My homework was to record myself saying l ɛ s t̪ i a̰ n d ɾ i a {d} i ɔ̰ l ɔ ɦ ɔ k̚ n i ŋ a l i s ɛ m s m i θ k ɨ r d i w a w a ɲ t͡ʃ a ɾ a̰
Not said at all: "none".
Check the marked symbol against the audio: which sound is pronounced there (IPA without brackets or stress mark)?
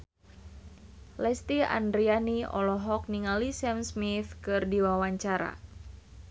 n